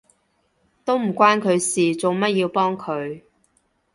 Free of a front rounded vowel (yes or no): yes